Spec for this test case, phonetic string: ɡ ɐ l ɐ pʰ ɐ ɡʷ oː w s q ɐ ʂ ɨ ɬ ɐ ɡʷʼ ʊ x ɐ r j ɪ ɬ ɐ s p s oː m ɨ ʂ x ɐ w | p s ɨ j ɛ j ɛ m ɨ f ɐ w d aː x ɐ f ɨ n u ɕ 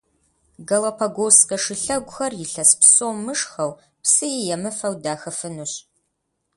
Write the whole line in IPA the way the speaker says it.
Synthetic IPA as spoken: ɡ ɐ l ɐ pʰ ɐ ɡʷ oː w s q ɐ ʂ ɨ ɬ ɐ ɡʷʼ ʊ x ɐ r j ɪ ɬ ɐ s p s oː m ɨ ʂ x ɐ w | p s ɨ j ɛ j ɛ m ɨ f ɐ w d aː x ɐ f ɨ n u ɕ